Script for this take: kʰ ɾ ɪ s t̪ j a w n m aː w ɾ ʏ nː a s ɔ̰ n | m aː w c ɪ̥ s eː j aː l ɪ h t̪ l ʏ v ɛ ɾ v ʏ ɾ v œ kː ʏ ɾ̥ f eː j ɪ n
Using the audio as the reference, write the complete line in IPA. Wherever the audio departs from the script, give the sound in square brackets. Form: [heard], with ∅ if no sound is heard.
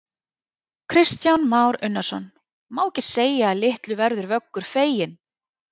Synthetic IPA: kʰ ɾ ɪ s t̪ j a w n m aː w ɾ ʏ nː a s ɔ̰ n | m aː w c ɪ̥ s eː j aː l ɪ h t̪ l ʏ v ɛ ɾ [ð] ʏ ɾ v œ kː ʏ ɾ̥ f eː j ɪ n